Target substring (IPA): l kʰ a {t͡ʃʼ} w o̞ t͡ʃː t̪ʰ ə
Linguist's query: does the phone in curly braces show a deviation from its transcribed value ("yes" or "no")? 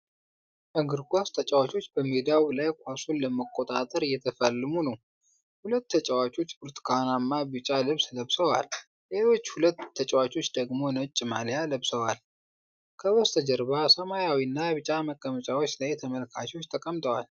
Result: yes